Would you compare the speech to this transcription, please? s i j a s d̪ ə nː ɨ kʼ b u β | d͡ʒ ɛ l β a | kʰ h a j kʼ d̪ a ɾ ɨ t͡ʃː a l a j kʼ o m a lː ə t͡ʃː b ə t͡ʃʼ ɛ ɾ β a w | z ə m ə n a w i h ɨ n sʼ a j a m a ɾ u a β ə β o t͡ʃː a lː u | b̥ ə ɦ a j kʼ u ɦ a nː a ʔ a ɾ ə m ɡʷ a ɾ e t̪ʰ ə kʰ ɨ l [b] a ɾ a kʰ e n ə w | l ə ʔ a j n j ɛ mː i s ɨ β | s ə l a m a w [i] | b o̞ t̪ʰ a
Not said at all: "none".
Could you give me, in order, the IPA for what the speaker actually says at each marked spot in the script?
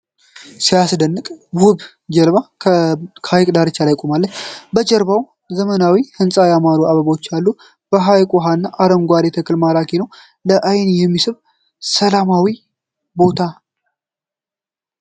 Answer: m, i

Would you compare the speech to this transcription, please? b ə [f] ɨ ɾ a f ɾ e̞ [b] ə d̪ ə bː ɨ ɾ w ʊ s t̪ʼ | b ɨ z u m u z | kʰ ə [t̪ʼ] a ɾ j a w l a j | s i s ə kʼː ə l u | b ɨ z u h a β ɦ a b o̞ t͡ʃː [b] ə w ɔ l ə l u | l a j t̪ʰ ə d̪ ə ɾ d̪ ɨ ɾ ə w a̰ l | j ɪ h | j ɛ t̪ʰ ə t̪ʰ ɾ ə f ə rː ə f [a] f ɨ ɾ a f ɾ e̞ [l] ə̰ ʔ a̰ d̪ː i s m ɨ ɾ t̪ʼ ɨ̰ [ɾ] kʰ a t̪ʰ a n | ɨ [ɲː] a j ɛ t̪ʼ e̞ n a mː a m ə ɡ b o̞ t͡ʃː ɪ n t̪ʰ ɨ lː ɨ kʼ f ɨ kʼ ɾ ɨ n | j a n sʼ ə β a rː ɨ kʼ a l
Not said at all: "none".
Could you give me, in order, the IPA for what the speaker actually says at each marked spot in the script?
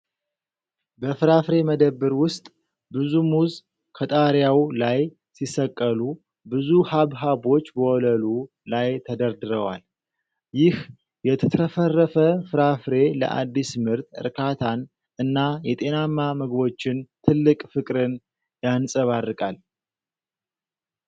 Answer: f, m, t̪ʼ, b, ə, l, ɾ, nː

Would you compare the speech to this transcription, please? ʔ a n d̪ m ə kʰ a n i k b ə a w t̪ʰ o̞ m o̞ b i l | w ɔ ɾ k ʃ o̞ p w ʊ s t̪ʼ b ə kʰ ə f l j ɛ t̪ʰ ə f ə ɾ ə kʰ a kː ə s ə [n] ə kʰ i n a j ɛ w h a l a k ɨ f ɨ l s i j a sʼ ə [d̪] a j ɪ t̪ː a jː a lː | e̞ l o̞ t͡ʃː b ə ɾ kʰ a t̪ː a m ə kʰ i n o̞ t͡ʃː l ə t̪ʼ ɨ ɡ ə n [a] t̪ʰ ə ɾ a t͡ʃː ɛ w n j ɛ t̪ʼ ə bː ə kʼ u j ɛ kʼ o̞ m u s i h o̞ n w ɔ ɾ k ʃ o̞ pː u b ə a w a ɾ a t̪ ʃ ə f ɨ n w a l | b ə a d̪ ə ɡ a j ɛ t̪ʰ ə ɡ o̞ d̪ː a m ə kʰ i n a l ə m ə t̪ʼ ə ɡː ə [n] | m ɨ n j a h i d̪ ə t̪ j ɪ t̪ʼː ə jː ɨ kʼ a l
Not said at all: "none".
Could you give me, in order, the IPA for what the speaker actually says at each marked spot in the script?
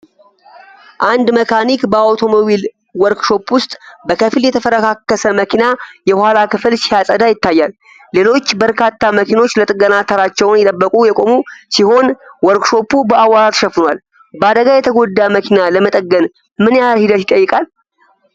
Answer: m, d̪, a, n

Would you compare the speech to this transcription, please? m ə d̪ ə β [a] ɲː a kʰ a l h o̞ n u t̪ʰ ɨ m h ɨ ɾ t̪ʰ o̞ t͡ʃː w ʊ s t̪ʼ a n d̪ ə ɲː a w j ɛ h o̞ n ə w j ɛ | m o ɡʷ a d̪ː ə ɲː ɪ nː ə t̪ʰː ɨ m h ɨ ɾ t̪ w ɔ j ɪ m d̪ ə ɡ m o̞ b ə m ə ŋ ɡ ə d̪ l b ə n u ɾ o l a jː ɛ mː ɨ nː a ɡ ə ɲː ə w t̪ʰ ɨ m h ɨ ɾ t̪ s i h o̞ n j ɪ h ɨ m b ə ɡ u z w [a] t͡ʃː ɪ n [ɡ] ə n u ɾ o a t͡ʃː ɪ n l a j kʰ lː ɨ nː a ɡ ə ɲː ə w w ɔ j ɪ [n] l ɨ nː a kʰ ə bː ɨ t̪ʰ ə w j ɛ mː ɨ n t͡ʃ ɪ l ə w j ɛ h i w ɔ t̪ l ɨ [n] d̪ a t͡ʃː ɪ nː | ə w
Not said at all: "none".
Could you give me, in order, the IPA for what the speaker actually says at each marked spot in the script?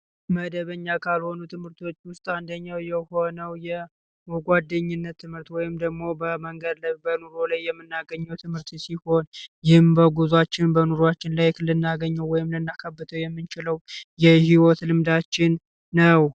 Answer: ə, a, b, m, m

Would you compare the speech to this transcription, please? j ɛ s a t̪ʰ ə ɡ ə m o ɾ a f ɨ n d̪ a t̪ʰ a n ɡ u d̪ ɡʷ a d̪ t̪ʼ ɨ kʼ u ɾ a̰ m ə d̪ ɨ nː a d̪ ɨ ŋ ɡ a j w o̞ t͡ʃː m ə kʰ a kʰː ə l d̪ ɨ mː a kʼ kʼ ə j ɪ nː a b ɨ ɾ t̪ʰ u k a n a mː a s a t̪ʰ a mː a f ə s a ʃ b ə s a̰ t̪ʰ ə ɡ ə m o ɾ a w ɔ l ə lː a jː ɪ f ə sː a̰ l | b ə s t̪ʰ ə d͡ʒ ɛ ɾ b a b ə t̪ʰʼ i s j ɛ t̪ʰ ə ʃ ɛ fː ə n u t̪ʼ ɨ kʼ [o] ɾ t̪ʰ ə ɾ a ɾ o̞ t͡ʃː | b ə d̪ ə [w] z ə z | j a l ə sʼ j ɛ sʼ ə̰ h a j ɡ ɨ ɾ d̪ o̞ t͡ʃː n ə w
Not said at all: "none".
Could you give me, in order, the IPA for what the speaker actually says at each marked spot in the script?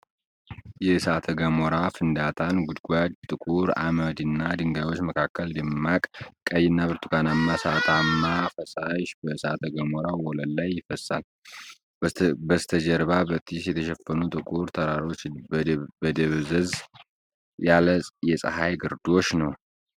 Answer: u, β

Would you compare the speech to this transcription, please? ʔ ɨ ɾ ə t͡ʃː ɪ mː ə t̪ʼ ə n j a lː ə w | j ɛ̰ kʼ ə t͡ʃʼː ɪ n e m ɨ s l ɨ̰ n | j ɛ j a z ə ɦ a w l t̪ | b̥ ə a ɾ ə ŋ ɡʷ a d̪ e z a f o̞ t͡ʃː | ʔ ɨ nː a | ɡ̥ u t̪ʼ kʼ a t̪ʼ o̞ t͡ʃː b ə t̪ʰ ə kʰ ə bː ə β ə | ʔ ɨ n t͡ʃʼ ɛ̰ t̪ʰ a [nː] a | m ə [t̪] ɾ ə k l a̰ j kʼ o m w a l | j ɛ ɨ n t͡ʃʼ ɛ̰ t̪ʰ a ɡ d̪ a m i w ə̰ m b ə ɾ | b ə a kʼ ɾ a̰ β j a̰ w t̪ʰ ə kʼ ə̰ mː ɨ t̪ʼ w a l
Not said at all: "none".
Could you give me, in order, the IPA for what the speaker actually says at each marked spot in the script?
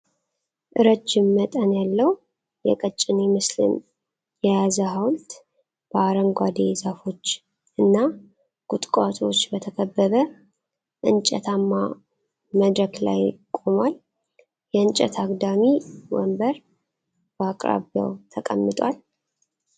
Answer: mː, d̪

